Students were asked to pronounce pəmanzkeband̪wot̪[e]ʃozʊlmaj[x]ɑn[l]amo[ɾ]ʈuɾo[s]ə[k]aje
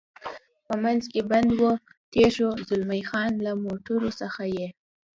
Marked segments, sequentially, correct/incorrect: correct, correct, correct, incorrect: none, correct, incorrect: x

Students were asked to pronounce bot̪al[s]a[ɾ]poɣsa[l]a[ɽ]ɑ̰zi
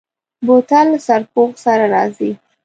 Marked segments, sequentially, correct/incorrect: correct, correct, incorrect: ɾ, incorrect: ɾ

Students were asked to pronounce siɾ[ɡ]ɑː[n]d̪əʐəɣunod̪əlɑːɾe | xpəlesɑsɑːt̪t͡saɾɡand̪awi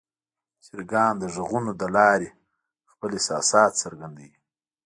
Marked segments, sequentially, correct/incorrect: correct, correct

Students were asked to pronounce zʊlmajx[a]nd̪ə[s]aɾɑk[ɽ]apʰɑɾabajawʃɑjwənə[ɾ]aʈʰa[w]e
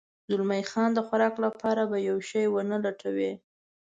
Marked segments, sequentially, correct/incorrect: incorrect: ɑ, incorrect: x, incorrect: l, incorrect: l, correct

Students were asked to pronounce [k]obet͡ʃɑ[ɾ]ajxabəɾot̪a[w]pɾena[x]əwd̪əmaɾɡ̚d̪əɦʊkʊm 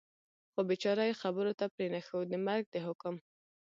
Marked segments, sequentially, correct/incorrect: incorrect: x, correct, incorrect: none, correct

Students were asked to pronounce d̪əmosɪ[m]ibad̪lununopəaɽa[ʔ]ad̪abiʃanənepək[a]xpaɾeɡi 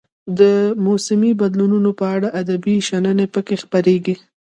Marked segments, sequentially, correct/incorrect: correct, correct, incorrect: e

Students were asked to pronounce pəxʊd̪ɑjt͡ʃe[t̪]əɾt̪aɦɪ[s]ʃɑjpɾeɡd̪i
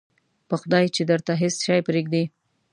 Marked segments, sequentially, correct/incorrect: incorrect: d̪, correct

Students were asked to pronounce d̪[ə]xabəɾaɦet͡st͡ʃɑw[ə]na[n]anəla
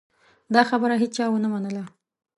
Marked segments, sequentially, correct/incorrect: incorrect: ɑ, correct, incorrect: m

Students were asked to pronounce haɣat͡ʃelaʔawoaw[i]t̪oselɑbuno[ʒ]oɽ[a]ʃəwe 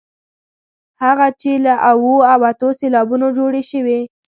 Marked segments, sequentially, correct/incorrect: incorrect: a, incorrect: d͡ʒ, incorrect: e

